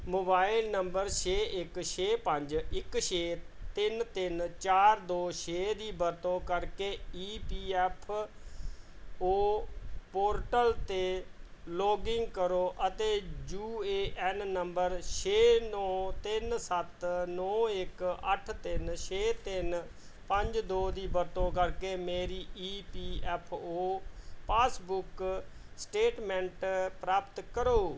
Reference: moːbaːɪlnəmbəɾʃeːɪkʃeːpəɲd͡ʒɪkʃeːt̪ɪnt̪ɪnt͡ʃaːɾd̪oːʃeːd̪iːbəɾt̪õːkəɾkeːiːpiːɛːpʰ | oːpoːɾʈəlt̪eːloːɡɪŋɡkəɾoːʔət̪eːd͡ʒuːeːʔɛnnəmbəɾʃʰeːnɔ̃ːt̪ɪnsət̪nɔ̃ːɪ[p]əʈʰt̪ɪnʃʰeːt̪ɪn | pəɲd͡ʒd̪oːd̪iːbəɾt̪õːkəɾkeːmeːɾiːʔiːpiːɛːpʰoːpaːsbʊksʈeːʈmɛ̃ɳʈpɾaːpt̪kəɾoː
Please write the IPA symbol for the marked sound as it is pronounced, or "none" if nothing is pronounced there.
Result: k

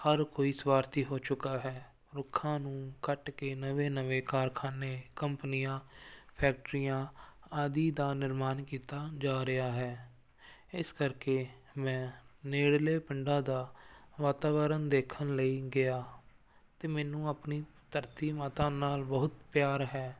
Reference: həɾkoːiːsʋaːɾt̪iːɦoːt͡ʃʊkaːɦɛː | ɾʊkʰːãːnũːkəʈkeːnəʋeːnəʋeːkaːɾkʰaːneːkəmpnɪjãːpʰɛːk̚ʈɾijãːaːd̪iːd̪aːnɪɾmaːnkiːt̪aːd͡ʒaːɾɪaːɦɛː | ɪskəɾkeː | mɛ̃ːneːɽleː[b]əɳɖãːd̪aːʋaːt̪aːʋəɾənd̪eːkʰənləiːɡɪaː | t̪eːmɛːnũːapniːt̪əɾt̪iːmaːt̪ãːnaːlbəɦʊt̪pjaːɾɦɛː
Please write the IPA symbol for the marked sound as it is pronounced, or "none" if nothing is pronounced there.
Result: p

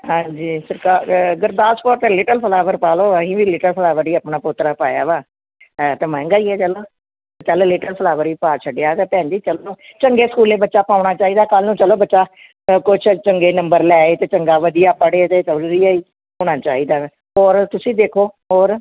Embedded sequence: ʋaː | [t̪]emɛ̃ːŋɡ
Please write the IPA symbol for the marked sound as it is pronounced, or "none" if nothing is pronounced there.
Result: t̪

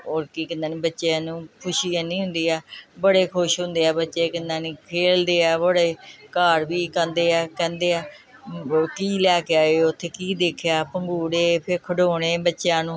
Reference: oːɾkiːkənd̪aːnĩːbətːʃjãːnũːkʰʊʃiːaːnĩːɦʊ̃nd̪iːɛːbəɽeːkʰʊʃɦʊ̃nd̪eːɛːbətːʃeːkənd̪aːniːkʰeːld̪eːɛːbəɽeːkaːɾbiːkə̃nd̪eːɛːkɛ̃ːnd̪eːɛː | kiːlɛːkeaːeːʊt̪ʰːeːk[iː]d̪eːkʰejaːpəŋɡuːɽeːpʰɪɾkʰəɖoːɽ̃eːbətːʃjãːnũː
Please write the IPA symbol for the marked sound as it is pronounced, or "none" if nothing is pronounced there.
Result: iː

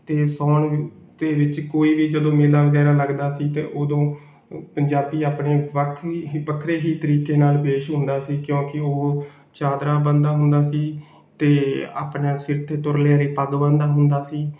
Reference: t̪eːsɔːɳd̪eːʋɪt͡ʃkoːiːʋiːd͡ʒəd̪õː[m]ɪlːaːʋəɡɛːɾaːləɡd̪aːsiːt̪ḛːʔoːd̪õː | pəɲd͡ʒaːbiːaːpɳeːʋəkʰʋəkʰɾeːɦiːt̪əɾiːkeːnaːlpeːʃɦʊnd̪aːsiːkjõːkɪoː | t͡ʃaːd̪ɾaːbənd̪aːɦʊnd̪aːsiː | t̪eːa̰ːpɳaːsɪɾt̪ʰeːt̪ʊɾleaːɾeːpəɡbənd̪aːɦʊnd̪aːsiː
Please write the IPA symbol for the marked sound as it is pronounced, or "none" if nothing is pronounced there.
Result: m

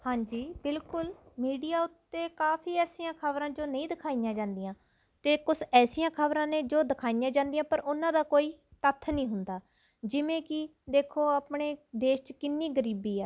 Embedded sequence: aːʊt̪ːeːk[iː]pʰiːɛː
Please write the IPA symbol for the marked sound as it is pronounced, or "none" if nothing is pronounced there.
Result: aː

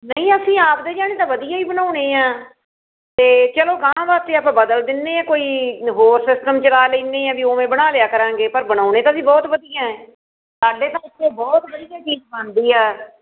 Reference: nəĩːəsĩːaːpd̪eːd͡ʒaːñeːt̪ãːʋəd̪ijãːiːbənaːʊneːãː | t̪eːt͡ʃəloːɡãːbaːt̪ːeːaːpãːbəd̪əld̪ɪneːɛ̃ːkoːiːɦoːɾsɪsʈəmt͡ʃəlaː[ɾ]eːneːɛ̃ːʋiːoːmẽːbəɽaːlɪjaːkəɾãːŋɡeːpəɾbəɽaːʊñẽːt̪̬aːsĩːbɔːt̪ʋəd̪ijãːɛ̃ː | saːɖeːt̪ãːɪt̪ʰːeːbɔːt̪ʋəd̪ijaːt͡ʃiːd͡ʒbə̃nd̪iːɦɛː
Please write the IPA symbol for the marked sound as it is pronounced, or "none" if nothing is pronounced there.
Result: l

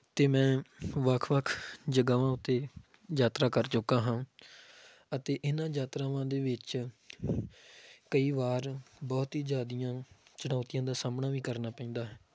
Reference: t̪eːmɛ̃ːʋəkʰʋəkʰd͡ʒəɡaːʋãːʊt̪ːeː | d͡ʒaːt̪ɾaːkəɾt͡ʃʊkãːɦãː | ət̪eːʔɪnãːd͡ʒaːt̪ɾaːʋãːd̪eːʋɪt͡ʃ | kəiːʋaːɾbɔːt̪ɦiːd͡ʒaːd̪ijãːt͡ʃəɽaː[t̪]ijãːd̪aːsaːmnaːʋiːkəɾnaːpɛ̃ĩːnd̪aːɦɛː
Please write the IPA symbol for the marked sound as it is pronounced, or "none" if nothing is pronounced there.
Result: t̪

